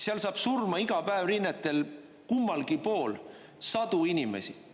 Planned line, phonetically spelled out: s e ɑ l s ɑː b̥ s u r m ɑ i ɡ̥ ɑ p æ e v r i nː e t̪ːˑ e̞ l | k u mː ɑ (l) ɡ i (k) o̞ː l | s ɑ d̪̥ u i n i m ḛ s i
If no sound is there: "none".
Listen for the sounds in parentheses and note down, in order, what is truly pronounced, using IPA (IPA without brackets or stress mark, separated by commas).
l, p